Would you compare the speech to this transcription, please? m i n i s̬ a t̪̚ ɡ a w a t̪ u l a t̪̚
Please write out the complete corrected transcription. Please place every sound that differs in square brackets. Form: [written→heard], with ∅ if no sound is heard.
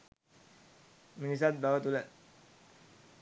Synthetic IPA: m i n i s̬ a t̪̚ [ɡ→b] a w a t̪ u l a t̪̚